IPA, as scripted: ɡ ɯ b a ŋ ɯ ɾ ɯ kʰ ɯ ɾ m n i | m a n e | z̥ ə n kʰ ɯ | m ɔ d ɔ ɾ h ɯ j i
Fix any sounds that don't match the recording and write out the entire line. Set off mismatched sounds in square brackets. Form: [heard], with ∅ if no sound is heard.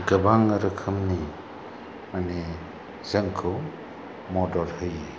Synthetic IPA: ɡ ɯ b a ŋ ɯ ɾ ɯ kʰ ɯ [∅] m n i | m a n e | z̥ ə [ŋ] kʰ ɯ | m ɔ d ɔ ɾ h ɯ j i